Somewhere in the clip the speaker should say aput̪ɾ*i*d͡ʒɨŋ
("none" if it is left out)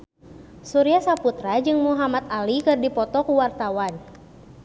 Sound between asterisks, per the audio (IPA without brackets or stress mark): a